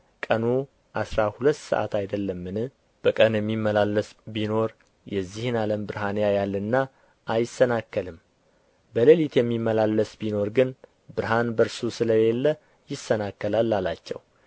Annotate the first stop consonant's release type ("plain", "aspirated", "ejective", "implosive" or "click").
ejective